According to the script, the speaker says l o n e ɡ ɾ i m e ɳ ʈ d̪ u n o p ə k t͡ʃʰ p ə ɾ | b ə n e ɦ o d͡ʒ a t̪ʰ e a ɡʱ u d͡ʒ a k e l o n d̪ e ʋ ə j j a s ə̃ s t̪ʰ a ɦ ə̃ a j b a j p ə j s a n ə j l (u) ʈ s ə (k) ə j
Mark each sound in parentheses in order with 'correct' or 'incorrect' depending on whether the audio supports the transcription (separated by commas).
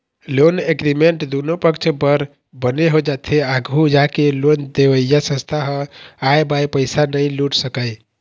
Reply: correct, correct